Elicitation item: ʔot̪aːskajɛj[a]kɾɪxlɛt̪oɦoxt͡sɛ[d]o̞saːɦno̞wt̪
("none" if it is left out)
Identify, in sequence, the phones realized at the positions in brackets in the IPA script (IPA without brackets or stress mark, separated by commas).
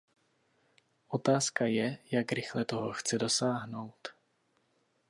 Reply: a, d